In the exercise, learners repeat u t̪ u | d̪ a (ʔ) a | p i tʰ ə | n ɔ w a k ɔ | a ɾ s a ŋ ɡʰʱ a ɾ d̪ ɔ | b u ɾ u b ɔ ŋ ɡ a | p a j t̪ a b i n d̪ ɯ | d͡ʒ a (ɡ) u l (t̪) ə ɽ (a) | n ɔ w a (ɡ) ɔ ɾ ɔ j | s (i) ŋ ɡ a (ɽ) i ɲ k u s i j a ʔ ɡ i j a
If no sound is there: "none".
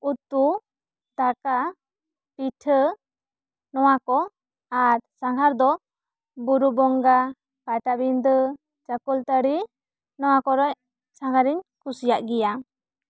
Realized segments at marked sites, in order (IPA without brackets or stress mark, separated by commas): k, k, t̪, i, k, a, ɾ